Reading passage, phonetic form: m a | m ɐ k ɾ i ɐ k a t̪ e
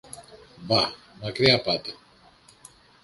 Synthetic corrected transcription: b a | m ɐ k ɾ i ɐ p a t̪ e